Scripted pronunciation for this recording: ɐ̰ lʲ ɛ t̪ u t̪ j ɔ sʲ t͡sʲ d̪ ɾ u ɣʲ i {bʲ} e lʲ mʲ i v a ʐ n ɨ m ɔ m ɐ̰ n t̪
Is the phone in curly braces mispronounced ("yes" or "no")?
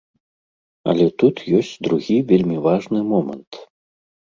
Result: yes